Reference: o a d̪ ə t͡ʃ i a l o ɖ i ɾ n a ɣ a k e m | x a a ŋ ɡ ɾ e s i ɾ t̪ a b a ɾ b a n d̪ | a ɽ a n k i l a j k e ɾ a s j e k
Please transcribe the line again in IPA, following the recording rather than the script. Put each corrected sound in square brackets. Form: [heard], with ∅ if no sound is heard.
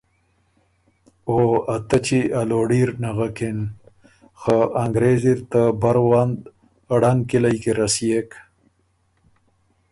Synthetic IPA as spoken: o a [t̪] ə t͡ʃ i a l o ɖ i ɾ n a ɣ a k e [n] | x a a ŋ ɡ ɾ e [z] i ɾ t̪ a b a ɾ [w] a n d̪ | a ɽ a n k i l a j k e ɾ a s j e k

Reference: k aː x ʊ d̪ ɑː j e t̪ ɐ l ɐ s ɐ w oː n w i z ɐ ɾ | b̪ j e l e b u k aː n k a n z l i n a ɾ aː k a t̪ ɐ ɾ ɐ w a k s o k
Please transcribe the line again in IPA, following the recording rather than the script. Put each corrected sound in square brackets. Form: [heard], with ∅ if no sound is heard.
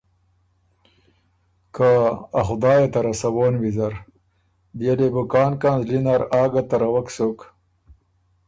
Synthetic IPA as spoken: k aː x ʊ d̪ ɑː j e t̪ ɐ [ɾ] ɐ s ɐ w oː n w i z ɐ ɾ | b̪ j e l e b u k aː n k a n z l i n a ɾ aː [ɡ] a t̪ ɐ ɾ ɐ w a k s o k

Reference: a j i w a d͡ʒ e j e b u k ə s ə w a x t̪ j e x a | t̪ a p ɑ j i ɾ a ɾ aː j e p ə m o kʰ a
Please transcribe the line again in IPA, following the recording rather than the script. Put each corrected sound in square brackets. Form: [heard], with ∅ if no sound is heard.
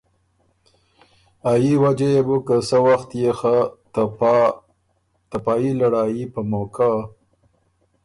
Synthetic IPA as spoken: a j i w a d͡ʒ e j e b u k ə s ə w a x t̪ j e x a | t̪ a p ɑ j i [l] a [ɽ] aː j [i] p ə m o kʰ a

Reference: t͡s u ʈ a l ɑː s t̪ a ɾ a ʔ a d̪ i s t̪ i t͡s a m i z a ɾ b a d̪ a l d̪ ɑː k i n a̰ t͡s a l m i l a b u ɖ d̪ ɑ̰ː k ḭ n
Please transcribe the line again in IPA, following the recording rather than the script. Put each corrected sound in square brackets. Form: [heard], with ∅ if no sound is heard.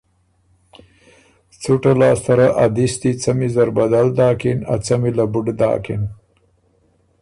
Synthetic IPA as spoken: t͡s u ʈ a l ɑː s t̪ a ɾ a ʔ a d̪ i s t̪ i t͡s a m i z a ɾ b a d̪ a l d̪ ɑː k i n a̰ t͡s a [∅] m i l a b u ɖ d̪ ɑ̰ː k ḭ n

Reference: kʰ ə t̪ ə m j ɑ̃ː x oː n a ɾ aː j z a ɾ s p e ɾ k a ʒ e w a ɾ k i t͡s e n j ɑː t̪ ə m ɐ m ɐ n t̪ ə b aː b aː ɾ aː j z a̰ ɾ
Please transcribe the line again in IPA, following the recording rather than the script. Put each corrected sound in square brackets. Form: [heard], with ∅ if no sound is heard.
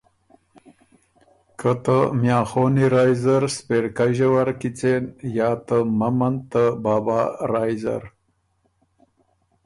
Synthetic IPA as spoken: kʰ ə t̪ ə m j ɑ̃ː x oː n [i] ɾ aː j z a ɾ s p e ɾ k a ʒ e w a ɾ k i t͡s e n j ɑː t̪ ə m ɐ m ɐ n t̪ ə b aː b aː ɾ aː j z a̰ ɾ

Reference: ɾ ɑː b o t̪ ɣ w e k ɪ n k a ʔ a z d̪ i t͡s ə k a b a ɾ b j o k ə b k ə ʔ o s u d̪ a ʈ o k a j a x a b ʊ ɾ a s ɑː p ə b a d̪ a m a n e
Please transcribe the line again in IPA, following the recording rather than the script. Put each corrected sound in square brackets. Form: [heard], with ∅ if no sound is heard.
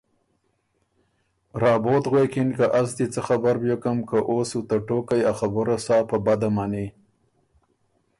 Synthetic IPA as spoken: ɾ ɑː b o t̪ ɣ w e k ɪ n k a ʔ a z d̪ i t͡s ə [x] a b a ɾ b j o k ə [m] k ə ʔ o s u [t̪] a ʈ o k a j a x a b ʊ ɾ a s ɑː p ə b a d̪ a m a n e

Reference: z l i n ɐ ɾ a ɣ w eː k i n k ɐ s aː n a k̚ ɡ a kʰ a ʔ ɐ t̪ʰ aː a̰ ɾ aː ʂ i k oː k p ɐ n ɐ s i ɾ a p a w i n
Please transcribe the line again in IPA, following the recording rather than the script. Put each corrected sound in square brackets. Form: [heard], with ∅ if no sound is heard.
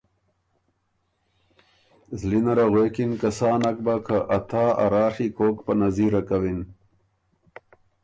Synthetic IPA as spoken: z l i n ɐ ɾ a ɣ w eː k i n k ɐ s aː n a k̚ [b] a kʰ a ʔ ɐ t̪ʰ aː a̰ ɾ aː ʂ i k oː k p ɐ n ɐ [z] i ɾ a [k] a w i n

